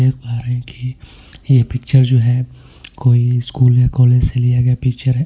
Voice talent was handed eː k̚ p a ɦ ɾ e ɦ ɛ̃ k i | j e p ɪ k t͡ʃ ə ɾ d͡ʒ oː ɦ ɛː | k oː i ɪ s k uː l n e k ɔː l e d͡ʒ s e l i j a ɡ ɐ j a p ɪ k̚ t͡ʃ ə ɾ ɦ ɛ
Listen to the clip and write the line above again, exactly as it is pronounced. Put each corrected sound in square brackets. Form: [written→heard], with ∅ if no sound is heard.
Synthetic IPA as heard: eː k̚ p a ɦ ɾ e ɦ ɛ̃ k i | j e p ɪ k t͡ʃ ə ɾ d͡ʒ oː ɦ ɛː | k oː i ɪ s k uː l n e k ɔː l e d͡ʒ s e l i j a ɡ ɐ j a p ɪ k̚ t͡ʃ ə ɾ ɦ ɛ